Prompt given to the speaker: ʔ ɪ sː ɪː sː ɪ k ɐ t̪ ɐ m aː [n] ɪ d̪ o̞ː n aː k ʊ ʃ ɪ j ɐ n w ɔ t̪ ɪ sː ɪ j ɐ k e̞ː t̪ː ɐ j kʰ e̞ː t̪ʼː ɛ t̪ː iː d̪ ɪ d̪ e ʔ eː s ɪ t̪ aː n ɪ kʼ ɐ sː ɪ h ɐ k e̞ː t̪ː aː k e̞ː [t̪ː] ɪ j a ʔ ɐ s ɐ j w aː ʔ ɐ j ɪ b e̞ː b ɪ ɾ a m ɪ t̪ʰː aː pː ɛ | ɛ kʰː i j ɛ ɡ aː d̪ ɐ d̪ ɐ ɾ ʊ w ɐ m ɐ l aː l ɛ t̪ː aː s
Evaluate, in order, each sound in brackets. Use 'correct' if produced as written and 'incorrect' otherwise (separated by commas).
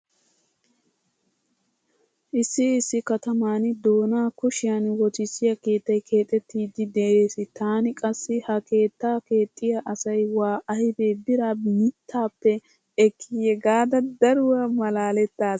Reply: correct, incorrect